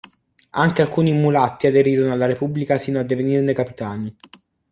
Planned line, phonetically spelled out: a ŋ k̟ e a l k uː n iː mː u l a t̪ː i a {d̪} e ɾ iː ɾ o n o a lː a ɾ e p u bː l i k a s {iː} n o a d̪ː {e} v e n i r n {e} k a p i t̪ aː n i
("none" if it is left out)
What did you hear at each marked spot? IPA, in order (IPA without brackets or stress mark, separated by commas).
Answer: d̪, iː, e, e